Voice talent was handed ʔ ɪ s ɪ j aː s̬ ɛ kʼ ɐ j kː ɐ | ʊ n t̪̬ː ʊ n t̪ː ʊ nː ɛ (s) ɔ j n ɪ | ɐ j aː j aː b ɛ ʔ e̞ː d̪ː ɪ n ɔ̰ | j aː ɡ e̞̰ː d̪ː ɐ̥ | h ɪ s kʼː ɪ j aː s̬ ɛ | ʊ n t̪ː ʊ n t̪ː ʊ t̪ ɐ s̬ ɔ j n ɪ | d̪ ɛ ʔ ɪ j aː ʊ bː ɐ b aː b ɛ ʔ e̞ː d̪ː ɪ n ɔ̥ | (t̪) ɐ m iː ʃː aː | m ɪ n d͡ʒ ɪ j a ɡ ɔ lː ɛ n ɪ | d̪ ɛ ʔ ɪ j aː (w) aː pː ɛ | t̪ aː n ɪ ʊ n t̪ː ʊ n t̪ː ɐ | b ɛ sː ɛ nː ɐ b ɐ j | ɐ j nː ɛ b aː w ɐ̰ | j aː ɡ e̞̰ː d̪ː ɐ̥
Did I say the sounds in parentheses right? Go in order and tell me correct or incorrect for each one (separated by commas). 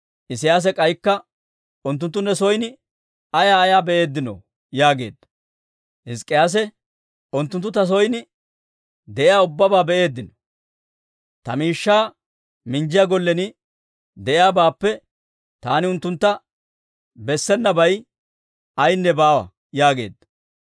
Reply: correct, correct, incorrect